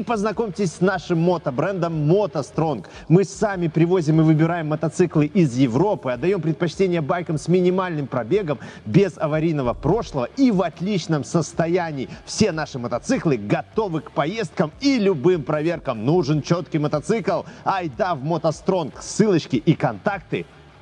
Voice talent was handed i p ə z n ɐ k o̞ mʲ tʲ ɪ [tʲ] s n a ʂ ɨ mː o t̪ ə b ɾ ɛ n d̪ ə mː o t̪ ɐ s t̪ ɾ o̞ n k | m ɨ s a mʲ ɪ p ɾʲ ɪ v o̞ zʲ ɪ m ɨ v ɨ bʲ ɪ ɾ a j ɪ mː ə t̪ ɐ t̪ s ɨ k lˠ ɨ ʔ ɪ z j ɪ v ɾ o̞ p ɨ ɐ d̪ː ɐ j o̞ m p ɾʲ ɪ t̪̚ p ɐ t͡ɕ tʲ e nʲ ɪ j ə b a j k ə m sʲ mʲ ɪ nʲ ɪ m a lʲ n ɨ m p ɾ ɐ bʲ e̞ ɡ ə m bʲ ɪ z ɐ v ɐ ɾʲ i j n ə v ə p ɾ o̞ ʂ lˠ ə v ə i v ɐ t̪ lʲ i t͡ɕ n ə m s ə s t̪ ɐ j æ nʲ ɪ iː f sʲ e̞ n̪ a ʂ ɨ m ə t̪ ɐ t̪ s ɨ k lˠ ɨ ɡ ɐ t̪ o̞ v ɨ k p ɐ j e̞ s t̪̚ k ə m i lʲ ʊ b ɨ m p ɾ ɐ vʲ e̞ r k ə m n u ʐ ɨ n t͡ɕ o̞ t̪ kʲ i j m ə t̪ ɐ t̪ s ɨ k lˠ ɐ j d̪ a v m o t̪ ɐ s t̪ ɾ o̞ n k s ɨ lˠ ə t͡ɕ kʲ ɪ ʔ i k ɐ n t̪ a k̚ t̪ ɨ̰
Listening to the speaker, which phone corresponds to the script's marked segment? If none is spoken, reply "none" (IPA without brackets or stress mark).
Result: sʲ